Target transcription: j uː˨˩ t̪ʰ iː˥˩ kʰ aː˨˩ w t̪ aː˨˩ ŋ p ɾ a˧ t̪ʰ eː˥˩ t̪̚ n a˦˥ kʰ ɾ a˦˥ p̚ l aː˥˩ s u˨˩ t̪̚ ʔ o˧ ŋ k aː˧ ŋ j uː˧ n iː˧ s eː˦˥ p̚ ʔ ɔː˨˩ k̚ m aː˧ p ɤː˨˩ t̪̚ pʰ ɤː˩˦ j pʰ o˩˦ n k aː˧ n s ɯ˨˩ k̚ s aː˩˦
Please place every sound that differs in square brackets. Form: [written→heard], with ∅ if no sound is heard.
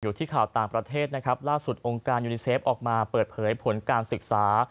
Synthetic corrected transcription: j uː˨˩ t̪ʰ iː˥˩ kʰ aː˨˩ w t̪ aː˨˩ ŋ p ɾ a˧ t̪ʰ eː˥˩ t̪̚ n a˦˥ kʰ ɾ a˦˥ p̚ l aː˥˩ s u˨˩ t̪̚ ʔ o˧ ŋ k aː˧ [ŋ→n] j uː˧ n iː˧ s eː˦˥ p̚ ʔ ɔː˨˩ k̚ m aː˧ p ɤː˨˩ t̪̚ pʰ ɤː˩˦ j pʰ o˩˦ n k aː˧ n s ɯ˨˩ k̚ s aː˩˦